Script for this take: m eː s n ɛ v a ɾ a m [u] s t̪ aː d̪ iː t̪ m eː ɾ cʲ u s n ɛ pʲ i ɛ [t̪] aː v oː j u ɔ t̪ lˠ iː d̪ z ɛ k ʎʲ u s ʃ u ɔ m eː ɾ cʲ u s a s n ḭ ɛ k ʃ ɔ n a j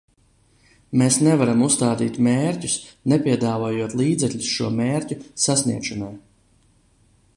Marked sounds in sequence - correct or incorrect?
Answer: correct, incorrect: d̪

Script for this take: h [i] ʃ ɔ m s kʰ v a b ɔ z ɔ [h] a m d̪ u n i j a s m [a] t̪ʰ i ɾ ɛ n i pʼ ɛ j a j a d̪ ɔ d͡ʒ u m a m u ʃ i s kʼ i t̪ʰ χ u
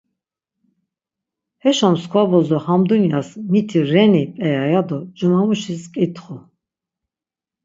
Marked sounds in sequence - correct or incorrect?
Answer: incorrect: ɛ, correct, incorrect: i

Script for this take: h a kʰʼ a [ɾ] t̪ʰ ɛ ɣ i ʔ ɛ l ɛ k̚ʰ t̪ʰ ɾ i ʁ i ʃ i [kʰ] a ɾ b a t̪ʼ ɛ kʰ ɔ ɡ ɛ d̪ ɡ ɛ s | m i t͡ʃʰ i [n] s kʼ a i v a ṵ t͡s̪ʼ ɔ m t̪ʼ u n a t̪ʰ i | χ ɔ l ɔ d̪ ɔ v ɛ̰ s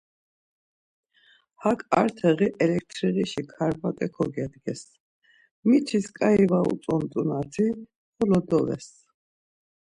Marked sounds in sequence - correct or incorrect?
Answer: correct, correct, incorrect: none

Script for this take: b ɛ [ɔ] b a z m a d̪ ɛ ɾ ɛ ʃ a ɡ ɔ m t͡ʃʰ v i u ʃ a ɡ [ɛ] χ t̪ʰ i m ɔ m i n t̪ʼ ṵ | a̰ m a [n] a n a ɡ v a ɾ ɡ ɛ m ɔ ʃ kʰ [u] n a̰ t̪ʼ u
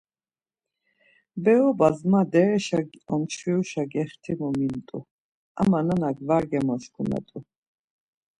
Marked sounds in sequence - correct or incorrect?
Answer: correct, correct, correct, correct

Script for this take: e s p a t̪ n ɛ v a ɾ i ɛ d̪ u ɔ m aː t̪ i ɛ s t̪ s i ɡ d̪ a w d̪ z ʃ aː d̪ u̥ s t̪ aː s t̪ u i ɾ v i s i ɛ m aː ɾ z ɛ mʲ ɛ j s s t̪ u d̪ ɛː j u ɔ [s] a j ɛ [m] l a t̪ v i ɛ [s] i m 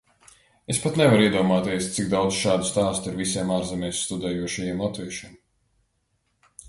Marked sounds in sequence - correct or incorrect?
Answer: incorrect: ʃ, correct, incorrect: ʃ

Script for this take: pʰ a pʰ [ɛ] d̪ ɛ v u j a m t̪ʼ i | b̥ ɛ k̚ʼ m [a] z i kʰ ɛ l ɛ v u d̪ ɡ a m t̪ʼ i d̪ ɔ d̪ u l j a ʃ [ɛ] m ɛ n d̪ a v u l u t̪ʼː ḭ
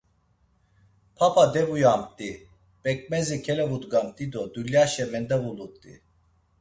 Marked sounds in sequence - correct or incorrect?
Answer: incorrect: a, incorrect: ɛ, correct

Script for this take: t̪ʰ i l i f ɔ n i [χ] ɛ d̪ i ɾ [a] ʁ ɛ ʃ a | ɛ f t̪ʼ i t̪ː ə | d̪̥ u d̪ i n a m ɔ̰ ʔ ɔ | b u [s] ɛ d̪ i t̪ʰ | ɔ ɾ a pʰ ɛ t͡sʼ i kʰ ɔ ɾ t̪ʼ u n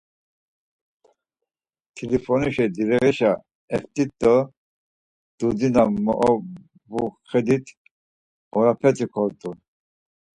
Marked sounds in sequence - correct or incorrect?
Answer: incorrect: ʃ, incorrect: ɛ, incorrect: χ

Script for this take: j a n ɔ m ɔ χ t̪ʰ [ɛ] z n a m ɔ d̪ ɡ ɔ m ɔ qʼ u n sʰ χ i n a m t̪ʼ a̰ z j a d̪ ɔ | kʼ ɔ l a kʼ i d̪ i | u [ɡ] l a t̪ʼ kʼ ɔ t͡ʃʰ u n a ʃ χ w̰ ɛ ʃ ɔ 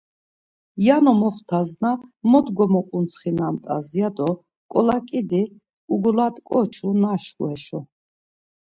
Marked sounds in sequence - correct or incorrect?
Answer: incorrect: a, correct

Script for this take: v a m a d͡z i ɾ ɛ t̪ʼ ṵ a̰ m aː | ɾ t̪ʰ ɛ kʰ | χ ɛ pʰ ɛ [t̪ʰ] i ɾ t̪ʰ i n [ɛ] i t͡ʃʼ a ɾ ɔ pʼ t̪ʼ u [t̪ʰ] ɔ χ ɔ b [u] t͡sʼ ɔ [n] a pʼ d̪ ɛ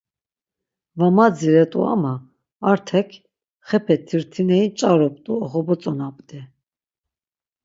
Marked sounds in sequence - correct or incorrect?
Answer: correct, correct, incorrect: none, incorrect: ɔ, correct

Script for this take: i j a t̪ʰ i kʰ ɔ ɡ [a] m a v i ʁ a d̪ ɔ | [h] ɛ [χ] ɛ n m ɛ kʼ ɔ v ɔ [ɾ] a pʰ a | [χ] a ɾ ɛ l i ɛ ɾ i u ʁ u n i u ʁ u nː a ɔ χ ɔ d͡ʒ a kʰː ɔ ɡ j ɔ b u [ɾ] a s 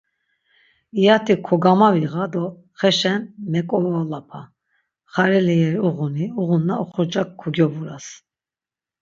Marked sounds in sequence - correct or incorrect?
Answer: correct, incorrect: χ, incorrect: ʃ, incorrect: l, correct, correct

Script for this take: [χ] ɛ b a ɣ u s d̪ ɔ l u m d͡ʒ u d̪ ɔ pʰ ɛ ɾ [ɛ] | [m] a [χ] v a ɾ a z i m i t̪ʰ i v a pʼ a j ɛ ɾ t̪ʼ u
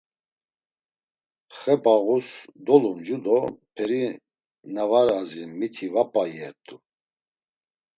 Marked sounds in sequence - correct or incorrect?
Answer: correct, incorrect: i, incorrect: n, incorrect: none

